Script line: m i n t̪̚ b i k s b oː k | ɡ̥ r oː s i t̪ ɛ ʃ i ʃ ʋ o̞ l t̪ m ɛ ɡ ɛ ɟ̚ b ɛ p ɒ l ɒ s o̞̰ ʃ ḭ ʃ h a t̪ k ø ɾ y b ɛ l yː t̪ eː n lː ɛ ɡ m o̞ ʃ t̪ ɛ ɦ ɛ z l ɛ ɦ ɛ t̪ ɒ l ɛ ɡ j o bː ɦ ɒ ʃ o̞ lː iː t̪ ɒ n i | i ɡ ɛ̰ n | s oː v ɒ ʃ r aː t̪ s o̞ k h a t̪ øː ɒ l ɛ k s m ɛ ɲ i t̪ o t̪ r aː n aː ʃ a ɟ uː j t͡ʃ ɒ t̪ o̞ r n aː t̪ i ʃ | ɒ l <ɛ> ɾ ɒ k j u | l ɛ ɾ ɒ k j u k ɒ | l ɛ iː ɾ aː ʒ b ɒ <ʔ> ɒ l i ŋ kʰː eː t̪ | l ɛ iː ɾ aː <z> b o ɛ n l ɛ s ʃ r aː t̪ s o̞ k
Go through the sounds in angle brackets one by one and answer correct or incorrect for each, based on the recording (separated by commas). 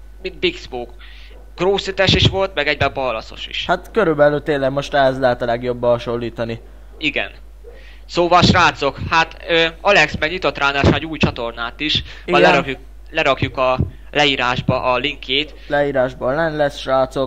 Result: correct, correct, incorrect